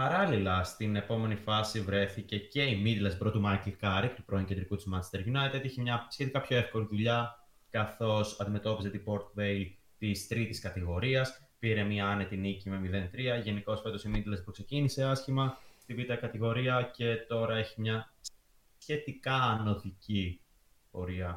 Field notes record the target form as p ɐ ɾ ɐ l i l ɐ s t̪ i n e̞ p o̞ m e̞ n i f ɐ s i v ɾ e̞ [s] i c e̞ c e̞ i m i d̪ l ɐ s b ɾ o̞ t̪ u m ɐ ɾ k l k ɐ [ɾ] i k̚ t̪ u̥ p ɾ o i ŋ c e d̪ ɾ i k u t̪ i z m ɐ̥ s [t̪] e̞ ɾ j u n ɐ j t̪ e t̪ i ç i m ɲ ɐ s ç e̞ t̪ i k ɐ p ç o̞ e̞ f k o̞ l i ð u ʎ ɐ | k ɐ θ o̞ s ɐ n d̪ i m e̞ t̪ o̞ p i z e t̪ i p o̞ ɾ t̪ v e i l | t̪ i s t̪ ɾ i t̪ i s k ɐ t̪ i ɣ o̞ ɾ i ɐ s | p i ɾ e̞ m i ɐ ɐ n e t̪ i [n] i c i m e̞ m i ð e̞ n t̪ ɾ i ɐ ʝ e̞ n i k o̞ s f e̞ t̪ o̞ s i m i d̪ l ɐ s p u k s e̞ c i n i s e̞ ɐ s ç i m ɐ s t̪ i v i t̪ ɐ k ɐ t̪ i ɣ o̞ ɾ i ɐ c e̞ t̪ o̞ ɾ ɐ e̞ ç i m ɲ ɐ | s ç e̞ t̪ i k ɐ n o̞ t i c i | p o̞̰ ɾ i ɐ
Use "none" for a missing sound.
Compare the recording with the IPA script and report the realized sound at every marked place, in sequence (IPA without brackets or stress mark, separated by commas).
θ, ɾ, t̪, n